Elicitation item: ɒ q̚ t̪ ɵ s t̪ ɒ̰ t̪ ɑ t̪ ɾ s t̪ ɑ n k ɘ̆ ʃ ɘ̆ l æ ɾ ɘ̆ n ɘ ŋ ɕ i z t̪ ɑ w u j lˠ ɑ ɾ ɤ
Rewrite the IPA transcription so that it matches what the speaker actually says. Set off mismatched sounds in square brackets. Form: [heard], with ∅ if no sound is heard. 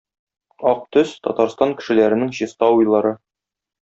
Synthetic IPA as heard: ɒ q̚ t̪ ɵ s t̪ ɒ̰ t̪ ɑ [∅] ɾ s t̪ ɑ [ŋ] k ɘ̆ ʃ ɘ̆ l æ ɾ ɘ̆ n ɘ ŋ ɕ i [s] t̪ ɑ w u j lˠ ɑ ɾ ɤ